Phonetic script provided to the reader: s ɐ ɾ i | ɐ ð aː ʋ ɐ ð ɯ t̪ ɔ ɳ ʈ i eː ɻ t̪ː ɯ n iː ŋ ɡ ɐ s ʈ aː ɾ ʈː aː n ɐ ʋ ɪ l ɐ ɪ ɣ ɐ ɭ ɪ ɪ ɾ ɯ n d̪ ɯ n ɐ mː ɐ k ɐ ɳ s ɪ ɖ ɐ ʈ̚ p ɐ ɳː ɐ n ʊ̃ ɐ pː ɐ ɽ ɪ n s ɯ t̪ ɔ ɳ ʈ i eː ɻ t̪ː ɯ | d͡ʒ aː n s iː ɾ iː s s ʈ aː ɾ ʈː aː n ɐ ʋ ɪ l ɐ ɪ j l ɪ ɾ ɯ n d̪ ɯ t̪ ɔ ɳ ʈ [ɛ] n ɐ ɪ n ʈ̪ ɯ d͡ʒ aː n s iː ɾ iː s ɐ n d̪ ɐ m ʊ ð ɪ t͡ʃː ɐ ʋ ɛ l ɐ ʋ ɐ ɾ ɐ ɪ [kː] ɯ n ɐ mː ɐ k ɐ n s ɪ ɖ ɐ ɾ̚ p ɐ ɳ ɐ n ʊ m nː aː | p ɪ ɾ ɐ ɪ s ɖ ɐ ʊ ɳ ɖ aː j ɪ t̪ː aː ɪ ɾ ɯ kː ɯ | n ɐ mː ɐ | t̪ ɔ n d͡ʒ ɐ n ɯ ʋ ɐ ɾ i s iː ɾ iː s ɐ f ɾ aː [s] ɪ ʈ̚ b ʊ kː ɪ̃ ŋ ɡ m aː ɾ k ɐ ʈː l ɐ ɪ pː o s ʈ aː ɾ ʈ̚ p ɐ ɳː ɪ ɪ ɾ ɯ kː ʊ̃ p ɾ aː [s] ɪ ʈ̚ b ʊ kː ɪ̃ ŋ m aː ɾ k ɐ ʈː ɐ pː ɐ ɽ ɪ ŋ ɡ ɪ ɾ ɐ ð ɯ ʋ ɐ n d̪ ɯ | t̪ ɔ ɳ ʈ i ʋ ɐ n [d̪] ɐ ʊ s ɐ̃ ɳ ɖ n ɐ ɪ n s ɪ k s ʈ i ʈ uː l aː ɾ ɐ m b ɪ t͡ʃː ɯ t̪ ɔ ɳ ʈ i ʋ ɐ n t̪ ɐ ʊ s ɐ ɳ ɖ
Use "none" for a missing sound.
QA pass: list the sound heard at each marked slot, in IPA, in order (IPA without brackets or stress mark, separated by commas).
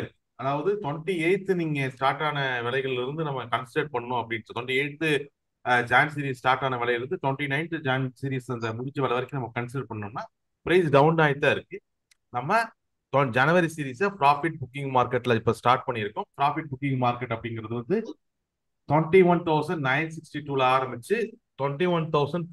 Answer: i, kː, f, f, t̪